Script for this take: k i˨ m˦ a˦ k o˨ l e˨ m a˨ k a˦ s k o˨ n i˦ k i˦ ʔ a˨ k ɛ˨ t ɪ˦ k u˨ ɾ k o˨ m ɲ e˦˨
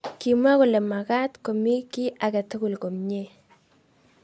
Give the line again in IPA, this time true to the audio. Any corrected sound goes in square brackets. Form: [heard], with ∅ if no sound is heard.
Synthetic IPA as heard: k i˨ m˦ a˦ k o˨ l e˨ m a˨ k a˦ [t] k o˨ [m] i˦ k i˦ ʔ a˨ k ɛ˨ t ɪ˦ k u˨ [l] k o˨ m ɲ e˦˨